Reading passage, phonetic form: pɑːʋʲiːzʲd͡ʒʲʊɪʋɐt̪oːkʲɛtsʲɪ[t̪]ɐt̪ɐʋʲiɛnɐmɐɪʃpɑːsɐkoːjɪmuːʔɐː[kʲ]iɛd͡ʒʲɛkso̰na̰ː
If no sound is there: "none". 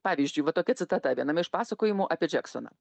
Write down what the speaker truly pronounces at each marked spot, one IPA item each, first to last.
t̪, pʲ

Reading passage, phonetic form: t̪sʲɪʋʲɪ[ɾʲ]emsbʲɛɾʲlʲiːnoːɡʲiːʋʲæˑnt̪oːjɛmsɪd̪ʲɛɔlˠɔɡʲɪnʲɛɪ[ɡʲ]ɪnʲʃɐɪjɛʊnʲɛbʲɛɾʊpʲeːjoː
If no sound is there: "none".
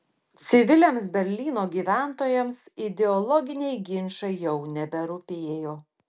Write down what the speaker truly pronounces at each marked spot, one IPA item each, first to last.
lʲ, ɡʲ

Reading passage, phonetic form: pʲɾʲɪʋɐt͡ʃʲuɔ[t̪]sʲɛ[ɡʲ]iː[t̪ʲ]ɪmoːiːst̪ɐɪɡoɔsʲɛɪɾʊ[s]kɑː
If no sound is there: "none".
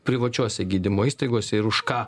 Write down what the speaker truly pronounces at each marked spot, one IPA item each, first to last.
none, ɡʲ, d̪ʲ, ʃ

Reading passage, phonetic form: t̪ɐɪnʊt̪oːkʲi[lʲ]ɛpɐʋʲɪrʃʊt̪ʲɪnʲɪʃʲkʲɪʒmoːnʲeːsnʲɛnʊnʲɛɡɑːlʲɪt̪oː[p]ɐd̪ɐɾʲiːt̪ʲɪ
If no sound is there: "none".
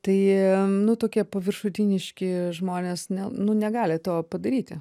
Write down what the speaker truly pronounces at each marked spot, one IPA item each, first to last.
none, p

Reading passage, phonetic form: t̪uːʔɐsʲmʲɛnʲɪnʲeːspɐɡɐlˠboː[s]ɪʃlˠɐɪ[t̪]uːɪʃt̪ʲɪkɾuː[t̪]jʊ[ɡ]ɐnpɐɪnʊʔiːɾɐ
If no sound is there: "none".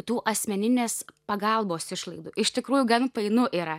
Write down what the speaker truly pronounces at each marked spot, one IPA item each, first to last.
s, d̪, none, ɡ

